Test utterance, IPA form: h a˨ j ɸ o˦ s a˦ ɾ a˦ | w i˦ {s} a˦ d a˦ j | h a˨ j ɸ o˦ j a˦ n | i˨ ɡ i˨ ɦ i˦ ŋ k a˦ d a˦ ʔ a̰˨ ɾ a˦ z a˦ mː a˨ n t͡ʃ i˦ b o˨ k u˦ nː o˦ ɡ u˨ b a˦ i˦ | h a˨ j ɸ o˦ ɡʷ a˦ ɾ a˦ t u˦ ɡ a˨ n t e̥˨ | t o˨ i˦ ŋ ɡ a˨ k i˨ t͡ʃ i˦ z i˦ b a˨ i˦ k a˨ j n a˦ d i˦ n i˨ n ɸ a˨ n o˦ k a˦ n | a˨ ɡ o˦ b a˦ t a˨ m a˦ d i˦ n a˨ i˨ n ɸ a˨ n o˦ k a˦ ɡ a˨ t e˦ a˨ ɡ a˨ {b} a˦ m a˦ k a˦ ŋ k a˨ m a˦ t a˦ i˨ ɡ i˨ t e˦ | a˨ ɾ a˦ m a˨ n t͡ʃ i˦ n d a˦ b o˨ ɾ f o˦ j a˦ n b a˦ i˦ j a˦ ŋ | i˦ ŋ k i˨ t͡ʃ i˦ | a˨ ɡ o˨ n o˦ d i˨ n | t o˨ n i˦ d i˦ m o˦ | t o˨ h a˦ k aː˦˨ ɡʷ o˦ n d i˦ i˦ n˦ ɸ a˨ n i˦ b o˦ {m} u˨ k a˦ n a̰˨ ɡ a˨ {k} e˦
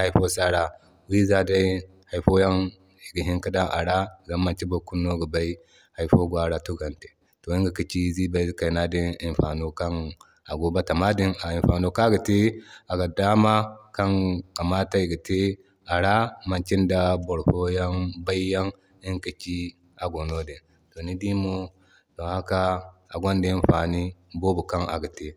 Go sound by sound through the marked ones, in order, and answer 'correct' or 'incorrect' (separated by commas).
incorrect, incorrect, incorrect, incorrect